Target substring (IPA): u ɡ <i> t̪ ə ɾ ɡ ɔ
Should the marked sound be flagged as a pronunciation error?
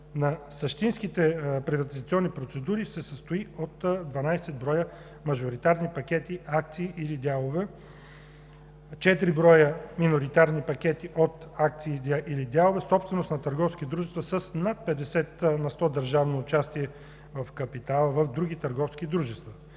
no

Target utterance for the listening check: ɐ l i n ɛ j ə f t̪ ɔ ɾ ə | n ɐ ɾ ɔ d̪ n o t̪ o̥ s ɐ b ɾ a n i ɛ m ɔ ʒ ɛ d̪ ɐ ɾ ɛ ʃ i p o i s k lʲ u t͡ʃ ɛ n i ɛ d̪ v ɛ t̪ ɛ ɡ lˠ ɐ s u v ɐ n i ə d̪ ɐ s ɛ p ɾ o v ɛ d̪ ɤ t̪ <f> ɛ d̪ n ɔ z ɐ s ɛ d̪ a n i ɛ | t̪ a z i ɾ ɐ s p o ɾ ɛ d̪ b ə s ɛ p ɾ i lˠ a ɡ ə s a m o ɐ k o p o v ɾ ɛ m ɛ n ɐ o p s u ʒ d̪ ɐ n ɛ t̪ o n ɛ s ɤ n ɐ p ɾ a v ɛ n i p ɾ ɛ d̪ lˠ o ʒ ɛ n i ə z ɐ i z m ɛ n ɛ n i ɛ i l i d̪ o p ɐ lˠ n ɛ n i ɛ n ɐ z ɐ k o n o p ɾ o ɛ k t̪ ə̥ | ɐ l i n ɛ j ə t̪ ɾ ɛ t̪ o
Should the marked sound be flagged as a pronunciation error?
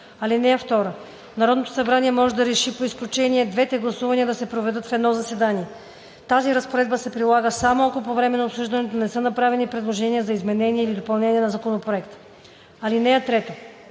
no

